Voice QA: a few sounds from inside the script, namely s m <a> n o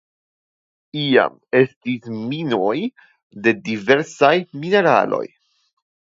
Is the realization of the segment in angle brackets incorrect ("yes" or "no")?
yes